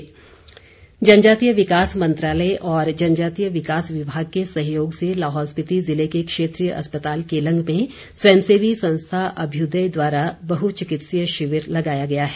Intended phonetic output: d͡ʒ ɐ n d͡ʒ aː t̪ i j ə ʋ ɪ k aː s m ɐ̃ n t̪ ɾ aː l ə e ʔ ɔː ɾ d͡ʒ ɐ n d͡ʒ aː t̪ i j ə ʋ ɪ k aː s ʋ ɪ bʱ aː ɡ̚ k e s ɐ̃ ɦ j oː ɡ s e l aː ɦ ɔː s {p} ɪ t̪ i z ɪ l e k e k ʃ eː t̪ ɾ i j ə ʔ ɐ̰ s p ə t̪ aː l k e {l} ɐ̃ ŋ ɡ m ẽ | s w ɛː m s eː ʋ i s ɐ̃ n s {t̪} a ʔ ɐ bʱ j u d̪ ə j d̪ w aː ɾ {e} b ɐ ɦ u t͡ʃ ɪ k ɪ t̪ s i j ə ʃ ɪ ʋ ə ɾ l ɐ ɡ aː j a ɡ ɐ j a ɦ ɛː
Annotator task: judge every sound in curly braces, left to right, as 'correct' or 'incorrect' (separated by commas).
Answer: correct, correct, incorrect, incorrect